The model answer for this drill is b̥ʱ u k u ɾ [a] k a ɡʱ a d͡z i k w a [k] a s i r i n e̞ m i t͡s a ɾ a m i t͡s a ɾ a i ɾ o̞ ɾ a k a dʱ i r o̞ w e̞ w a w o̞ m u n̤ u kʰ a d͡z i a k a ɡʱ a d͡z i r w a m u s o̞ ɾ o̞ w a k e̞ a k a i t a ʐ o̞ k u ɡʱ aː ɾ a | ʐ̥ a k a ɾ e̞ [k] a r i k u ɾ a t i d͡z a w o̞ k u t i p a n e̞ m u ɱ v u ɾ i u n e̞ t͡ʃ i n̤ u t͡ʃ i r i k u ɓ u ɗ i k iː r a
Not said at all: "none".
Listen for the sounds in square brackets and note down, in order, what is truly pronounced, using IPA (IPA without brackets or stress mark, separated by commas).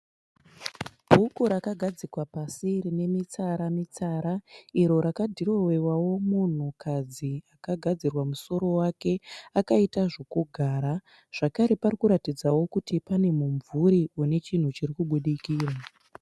a, p, p